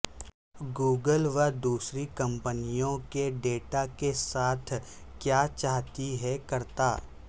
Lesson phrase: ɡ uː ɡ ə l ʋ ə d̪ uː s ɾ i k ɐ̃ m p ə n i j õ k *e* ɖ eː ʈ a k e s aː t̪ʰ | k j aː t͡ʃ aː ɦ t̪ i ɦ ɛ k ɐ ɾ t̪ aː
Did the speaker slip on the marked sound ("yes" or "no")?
no